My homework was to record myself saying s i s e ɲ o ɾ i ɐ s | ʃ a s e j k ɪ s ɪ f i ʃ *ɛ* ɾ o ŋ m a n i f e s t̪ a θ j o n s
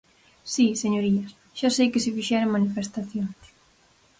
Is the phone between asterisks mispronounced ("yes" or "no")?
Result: no